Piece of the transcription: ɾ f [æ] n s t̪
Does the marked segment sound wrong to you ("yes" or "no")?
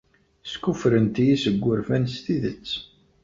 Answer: no